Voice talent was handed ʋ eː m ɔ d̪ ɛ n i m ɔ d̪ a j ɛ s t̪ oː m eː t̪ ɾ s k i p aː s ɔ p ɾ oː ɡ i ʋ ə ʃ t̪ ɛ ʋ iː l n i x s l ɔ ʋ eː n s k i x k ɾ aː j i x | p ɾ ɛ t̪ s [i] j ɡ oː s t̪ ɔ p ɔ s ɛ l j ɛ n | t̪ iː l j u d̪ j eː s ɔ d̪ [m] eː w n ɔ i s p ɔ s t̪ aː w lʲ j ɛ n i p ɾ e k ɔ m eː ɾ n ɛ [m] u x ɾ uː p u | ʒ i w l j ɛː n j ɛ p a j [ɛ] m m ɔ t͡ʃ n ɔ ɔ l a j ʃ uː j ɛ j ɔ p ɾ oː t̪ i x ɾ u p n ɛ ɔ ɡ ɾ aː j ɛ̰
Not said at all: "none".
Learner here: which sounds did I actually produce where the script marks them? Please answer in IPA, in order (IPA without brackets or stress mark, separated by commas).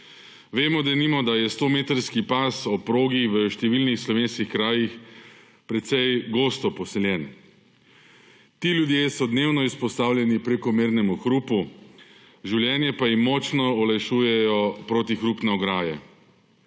ɛ, n, m, i